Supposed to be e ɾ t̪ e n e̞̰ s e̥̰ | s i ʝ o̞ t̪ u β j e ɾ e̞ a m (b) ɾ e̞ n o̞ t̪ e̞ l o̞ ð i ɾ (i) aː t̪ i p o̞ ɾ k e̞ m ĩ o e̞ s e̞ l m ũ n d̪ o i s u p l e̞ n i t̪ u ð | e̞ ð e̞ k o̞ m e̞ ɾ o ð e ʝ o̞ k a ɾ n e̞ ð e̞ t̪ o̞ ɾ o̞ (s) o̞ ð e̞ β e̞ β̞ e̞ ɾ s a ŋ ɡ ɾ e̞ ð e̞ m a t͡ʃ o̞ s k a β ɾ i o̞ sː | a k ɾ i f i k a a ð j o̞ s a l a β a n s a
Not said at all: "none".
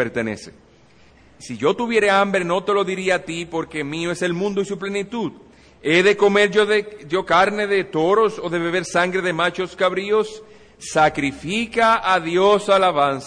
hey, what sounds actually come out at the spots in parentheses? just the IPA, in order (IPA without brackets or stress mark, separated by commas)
b, i, s